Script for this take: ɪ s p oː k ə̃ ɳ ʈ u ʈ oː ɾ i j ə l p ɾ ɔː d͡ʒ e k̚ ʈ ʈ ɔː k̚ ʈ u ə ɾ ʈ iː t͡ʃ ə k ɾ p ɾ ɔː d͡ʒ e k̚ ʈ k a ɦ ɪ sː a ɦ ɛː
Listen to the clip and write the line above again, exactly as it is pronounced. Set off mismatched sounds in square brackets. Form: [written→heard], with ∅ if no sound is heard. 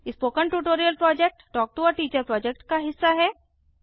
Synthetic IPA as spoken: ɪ s p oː k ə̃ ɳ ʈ u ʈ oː ɾ i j ə l p ɾ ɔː d͡ʒ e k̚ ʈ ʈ ɔː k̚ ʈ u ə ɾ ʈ iː t͡ʃ ə [k→∅] ɾ p ɾ ɔː d͡ʒ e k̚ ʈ k a ɦ ɪ sː a ɦ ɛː